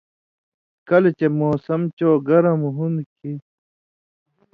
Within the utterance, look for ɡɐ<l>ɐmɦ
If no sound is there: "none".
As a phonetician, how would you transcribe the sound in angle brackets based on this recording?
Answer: ɾ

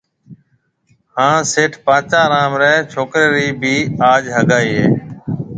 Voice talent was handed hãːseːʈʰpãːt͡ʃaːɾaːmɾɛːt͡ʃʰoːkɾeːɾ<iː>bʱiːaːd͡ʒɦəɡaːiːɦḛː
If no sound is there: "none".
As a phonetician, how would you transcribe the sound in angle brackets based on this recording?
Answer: iː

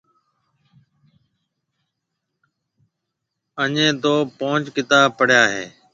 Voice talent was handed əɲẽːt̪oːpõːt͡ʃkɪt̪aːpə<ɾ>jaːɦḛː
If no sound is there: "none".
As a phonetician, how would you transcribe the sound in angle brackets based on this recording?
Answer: ɽ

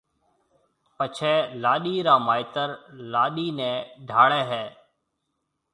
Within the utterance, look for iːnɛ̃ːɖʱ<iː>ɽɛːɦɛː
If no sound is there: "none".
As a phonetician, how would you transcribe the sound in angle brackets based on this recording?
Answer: aː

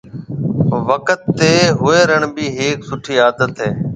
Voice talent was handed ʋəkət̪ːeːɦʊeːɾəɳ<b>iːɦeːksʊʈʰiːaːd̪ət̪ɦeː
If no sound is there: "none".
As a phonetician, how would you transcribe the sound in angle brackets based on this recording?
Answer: b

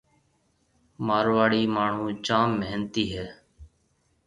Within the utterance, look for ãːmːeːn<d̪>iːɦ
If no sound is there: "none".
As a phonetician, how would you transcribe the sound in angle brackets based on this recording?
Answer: t̪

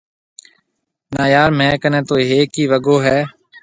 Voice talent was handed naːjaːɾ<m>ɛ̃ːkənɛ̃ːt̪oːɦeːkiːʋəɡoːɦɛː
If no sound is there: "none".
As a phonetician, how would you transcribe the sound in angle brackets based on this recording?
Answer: m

